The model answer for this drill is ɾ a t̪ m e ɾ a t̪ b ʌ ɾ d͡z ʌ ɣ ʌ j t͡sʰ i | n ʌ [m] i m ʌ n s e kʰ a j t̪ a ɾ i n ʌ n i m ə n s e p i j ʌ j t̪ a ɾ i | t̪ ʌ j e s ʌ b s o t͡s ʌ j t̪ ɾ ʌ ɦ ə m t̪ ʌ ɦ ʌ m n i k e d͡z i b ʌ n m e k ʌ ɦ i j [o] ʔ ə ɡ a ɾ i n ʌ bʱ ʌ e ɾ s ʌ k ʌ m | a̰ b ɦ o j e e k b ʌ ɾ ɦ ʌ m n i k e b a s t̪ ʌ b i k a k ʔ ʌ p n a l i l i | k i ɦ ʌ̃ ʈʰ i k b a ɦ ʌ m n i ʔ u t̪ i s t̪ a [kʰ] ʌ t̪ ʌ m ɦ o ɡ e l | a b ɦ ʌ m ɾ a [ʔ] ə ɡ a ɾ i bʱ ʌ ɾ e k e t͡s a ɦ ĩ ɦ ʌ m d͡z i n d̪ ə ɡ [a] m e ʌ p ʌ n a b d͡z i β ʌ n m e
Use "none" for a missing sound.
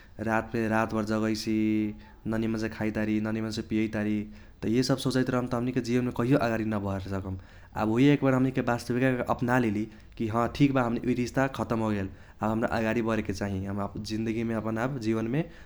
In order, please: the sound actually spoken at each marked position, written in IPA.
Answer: n, o, kʰ, ʔ, i

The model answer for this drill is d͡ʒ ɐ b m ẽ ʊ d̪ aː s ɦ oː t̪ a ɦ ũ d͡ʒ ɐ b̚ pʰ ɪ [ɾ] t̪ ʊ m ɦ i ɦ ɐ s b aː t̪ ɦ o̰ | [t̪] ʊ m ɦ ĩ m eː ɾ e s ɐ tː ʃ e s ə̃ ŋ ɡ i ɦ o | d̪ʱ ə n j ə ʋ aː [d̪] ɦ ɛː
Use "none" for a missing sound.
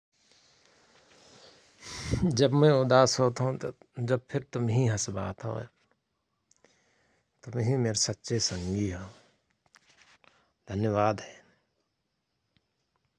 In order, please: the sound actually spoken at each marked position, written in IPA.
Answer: ɾ, t̪, d̪

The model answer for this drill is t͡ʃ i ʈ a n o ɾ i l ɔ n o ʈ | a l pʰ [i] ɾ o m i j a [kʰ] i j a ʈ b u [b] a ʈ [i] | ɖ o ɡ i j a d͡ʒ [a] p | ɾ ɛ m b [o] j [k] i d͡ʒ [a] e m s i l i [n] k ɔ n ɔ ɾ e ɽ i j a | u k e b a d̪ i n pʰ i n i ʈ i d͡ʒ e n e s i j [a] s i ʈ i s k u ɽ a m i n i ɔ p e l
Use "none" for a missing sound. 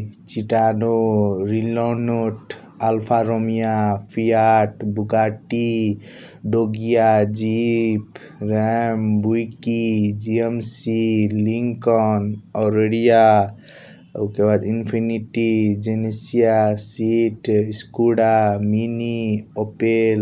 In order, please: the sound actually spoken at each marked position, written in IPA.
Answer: a, pʰ, ɡ, i, i, u, k, i, ŋ, a

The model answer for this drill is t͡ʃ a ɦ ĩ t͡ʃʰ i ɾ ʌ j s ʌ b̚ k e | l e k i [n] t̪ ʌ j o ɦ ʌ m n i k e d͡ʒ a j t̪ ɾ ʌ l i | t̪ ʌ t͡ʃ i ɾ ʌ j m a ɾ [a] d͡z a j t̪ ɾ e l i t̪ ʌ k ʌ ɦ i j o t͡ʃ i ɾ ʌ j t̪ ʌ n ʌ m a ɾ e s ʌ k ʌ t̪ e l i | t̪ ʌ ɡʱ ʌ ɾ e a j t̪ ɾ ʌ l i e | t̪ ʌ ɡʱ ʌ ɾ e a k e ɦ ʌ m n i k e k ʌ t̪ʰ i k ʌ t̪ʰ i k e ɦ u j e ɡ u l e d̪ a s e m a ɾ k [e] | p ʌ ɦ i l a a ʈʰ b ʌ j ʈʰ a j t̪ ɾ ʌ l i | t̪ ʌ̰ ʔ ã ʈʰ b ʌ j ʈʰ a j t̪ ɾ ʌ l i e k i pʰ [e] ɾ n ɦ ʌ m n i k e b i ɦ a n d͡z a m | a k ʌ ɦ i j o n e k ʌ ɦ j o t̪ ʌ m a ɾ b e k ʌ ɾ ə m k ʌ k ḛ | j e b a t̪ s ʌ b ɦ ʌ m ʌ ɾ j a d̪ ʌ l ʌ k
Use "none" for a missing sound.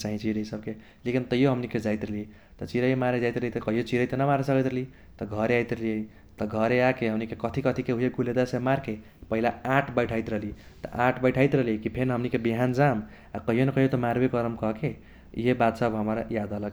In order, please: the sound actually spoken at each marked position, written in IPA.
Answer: n, e, e, e

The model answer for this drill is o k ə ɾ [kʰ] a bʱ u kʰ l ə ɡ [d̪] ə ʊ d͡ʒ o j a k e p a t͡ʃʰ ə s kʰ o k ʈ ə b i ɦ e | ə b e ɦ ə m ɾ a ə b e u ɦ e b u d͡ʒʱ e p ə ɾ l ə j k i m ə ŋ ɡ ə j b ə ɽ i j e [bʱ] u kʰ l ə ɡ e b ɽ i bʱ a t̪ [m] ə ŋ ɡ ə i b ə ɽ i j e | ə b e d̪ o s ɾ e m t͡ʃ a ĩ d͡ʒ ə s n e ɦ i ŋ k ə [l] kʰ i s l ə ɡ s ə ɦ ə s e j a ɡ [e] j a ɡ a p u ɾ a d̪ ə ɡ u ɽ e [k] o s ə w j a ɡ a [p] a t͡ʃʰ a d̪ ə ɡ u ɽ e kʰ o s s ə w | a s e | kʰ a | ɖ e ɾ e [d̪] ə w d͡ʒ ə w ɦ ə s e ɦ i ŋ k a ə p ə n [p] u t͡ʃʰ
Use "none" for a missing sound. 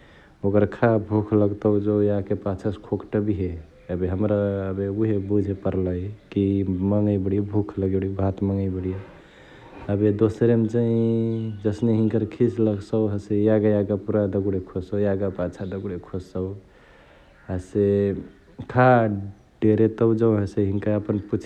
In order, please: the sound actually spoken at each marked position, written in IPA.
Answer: kʰ, t̪, bʱ, m, ɾ, a, kʰ, p, t̪, p

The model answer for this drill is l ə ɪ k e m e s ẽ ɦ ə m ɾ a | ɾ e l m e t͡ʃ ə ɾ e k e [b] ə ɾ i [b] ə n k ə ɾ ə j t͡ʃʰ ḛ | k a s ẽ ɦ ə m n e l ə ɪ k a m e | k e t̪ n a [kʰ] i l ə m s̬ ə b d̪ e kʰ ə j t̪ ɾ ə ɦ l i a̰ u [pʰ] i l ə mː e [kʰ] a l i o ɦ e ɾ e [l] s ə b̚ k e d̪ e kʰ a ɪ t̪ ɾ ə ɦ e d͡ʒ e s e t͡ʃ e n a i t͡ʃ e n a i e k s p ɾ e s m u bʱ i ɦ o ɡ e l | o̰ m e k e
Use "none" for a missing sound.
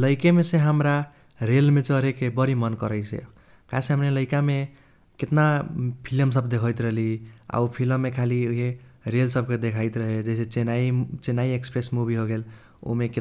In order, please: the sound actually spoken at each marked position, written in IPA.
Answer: b, m, pʰ, pʰ, kʰ, l

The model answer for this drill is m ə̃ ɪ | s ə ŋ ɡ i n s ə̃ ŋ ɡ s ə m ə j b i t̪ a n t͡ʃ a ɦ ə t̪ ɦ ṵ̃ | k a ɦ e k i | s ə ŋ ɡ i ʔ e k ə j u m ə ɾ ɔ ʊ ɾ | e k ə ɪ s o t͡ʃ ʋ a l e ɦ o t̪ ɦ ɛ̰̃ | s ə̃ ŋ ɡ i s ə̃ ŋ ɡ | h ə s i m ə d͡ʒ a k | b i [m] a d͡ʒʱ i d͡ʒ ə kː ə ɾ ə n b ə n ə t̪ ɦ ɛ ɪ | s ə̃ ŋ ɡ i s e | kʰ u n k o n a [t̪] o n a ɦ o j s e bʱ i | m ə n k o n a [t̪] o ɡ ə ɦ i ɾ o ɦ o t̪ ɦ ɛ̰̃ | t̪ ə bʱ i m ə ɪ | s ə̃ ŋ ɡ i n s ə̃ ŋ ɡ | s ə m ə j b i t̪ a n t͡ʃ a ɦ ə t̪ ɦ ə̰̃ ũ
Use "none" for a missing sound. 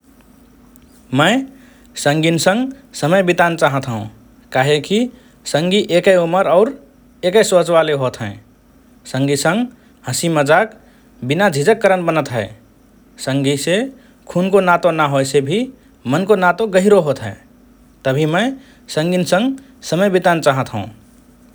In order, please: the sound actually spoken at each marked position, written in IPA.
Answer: n, t̪, t̪

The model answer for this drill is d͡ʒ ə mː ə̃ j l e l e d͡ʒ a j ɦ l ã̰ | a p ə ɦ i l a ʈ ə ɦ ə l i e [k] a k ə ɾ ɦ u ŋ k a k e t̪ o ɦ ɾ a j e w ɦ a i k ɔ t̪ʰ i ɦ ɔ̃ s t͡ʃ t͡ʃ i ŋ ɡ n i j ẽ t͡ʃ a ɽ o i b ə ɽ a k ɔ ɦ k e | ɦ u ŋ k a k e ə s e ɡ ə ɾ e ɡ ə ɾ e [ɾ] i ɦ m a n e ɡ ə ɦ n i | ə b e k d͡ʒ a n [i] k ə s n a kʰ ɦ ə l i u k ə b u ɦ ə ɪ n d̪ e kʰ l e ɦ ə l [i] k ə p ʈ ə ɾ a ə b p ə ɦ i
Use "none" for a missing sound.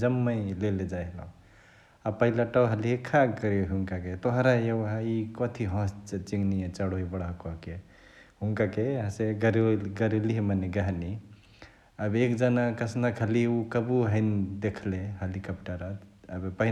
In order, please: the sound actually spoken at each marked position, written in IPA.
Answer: kʰ, l, a, i

